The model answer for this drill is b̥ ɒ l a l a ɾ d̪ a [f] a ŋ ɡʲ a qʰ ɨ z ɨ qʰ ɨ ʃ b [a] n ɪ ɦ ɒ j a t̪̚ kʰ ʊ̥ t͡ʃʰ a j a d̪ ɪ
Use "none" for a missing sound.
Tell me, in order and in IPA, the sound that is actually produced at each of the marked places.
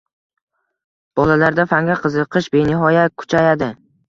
f, e

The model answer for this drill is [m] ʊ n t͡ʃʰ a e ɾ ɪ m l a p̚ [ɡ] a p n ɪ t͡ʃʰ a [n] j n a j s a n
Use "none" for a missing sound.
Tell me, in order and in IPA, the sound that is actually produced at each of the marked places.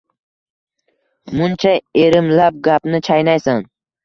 m, ɡ, none

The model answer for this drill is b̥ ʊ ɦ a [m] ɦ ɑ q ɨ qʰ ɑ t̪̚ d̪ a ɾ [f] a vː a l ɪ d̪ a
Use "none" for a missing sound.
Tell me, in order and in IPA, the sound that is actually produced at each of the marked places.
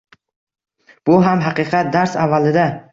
m, s

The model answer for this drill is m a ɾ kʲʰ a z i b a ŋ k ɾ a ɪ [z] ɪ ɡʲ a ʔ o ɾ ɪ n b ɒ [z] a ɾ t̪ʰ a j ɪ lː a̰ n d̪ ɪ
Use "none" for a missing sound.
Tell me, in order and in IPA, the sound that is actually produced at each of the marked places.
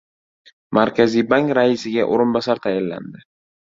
s, s

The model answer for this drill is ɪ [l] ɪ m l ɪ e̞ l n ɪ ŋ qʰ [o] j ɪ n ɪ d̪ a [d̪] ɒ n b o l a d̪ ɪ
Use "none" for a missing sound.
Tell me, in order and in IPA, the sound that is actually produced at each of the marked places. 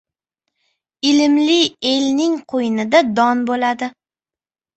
l, o, d̪

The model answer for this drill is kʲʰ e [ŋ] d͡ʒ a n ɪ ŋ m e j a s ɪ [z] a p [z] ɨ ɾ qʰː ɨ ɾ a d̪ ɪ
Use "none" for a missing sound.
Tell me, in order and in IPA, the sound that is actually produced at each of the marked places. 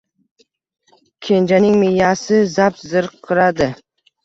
n, z, z

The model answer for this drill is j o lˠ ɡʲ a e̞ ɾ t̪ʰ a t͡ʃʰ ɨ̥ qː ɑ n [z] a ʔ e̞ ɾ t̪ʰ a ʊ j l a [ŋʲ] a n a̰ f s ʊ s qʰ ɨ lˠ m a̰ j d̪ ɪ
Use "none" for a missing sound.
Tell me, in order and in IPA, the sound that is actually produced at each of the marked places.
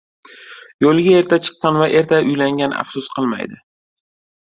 v, ŋʲ

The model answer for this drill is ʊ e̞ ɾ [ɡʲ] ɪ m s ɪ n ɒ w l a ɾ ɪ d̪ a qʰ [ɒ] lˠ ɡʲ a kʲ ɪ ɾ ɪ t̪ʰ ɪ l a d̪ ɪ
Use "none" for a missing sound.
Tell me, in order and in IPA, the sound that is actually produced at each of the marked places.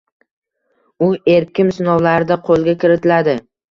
kʲ, o

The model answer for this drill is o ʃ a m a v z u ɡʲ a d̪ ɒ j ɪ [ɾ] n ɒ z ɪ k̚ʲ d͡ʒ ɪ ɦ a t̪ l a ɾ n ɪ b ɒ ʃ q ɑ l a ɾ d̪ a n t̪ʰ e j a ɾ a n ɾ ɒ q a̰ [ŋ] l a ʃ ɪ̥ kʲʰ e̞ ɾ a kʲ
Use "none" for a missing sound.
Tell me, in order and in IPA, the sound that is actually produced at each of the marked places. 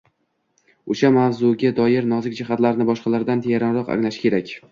ɾ, ŋ

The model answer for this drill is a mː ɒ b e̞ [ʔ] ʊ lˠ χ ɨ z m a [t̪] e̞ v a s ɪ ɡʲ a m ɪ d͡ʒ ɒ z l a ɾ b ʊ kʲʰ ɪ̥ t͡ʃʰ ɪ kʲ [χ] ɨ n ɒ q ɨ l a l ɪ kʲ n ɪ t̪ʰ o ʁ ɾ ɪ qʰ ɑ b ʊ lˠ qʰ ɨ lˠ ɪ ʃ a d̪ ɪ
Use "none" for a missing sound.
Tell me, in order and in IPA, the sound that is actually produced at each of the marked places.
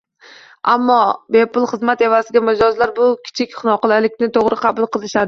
p, t̪, χ

